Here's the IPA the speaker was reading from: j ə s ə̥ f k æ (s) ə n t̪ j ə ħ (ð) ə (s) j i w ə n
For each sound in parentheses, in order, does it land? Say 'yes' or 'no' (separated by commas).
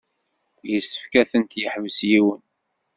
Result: no, no, yes